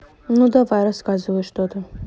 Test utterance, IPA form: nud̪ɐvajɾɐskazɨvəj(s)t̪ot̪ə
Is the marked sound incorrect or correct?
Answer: incorrect: ʂ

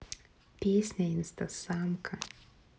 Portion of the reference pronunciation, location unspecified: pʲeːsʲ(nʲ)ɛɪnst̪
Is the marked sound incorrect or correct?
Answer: correct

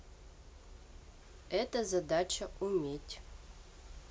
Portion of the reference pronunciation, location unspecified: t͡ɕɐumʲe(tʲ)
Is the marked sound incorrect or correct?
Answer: correct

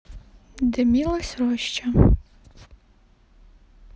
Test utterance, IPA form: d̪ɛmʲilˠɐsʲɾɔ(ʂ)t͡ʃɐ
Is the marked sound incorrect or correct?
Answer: incorrect: ʃ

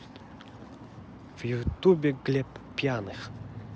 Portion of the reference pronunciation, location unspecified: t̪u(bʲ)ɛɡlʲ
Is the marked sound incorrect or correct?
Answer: correct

